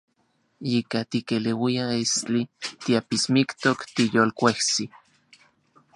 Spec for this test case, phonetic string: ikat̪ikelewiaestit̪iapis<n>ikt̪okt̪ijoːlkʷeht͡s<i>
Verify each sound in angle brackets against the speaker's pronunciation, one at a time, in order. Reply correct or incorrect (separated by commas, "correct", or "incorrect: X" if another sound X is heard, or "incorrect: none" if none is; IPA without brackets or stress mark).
incorrect: m, correct